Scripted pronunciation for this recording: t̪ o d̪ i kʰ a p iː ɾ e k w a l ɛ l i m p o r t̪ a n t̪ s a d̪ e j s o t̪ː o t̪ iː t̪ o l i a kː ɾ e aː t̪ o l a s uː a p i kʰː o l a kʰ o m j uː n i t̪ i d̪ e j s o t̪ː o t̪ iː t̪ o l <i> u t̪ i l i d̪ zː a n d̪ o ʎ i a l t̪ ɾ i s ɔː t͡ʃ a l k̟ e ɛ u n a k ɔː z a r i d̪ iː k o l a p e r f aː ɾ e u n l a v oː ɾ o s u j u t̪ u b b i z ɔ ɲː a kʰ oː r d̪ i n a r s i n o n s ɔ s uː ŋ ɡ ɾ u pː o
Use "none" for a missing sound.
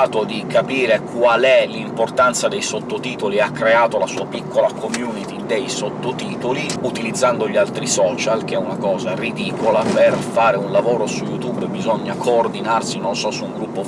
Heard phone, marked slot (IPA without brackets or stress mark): i